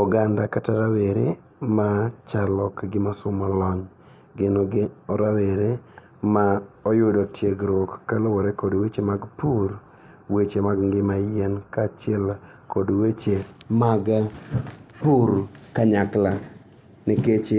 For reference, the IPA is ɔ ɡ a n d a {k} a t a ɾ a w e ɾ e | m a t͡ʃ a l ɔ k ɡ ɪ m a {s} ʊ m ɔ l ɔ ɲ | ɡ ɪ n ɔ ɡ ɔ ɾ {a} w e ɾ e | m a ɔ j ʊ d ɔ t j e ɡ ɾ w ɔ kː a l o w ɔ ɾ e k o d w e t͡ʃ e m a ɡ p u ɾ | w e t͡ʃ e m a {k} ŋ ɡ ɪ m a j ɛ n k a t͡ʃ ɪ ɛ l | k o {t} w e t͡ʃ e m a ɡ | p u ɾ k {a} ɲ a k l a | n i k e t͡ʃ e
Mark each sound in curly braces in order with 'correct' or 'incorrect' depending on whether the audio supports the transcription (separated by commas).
correct, correct, correct, incorrect, incorrect, correct